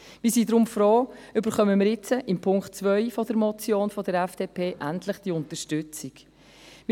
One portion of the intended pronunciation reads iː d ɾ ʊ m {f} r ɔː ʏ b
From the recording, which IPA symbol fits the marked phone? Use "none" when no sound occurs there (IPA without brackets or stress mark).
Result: f